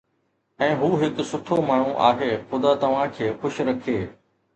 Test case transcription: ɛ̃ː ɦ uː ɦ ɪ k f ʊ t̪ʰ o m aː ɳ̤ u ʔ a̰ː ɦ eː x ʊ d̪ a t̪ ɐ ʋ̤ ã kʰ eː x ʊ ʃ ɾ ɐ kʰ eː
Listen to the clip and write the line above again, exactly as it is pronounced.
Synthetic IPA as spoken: ɛ̃ː ɦ uː ɦ ɪ k s ʊ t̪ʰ o m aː ɳ̤ u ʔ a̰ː ɦ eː x ʊ d̪ a t̪ ɐ ʋ̤ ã kʰ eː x ʊ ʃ ɾ ɐ kʰ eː